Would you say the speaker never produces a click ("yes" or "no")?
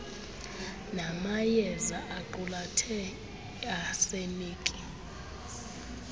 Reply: no